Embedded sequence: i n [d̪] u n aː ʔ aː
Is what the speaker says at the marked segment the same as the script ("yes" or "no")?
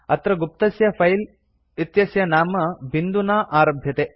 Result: yes